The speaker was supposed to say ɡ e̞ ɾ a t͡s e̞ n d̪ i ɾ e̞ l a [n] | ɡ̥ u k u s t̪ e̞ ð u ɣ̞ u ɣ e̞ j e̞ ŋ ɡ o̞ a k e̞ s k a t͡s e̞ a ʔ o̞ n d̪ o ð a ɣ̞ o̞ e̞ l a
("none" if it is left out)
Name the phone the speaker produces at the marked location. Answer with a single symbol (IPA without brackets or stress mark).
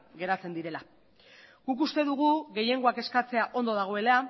none